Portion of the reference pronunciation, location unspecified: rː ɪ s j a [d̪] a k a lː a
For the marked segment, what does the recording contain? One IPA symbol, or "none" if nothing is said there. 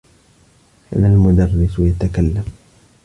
t̪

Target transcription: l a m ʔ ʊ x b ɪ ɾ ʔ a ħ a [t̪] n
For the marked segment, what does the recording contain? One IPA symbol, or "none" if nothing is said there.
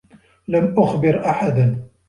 d̪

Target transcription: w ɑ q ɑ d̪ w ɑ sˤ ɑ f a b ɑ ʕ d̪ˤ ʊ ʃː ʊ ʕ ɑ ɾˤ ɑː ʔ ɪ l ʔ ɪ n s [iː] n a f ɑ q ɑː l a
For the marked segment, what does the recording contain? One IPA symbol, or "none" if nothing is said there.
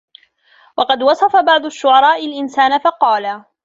aː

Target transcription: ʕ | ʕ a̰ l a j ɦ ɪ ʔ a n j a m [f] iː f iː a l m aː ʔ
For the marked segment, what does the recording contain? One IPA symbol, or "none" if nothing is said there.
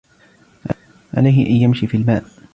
ʃ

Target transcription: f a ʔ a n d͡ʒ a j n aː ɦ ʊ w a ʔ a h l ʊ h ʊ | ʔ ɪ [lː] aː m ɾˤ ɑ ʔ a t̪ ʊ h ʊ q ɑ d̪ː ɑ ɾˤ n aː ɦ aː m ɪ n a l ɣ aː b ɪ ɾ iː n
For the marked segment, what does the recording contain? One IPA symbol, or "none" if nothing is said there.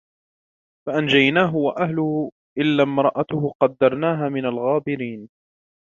lː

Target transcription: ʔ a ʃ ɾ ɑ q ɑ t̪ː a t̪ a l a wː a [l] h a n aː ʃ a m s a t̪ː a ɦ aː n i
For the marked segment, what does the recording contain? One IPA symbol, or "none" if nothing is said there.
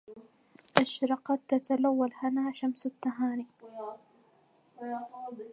l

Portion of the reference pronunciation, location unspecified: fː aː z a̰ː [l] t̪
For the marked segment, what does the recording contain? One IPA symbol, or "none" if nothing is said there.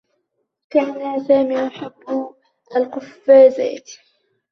none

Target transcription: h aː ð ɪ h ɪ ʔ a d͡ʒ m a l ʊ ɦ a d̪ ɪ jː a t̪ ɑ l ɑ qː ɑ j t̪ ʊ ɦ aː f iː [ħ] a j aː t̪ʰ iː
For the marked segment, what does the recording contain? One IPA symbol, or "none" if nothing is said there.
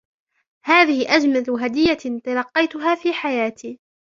ħ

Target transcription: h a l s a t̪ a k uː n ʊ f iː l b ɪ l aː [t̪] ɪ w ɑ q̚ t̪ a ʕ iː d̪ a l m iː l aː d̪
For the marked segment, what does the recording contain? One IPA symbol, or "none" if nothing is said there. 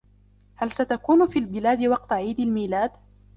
d̪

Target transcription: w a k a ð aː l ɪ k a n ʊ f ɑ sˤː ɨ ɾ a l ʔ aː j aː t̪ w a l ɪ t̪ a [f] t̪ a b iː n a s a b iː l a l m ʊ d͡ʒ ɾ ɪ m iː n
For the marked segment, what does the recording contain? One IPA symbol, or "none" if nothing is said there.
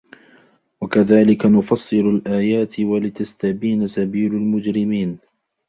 s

